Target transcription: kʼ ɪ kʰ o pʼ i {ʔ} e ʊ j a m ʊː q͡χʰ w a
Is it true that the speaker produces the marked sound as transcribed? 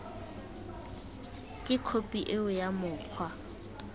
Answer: yes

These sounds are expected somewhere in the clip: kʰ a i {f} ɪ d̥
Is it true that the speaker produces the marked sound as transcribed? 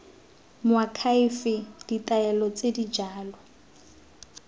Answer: yes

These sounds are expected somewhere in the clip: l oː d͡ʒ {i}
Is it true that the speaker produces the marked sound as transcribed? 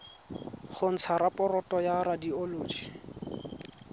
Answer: yes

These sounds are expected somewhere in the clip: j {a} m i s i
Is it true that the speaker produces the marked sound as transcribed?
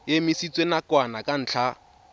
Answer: no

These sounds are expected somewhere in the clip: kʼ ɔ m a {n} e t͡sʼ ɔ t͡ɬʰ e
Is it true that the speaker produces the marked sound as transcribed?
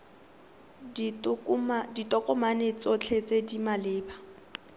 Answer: yes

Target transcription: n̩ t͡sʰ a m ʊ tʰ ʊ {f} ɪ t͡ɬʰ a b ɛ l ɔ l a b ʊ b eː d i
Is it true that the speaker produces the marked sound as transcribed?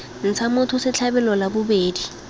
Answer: no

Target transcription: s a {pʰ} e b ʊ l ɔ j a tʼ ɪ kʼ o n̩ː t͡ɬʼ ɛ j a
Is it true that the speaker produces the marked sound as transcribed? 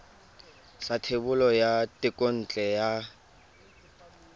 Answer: no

